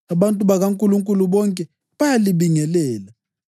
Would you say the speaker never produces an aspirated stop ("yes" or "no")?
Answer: yes